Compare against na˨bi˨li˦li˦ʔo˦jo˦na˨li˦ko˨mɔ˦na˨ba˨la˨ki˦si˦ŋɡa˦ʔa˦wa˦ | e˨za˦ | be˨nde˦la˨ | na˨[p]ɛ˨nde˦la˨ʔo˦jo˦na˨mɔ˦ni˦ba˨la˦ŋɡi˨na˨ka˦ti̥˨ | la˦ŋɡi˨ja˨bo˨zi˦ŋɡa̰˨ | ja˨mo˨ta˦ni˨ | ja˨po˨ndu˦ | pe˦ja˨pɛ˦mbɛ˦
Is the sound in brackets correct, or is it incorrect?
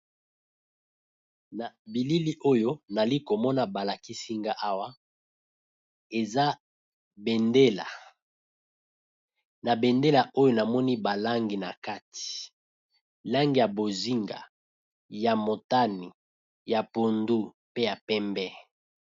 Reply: incorrect